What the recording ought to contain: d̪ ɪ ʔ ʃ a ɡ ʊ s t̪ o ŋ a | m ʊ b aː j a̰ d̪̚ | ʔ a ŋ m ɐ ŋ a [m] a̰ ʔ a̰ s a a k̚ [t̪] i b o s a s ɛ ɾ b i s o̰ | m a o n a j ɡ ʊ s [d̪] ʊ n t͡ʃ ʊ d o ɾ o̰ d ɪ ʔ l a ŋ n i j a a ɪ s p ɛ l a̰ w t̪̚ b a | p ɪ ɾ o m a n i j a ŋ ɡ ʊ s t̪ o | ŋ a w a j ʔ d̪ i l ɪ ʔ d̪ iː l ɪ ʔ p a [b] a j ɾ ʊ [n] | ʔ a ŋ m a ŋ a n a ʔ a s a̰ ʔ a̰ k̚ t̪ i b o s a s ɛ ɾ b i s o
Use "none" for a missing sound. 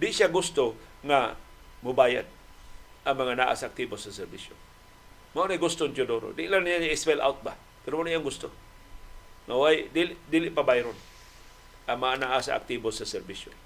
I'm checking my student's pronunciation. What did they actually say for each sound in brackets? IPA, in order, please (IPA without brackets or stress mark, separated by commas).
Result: n, t̪, t̪, b, n